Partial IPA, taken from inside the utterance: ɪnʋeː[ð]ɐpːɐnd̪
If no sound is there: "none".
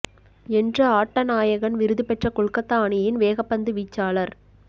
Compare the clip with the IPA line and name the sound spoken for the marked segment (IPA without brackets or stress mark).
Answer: ɣ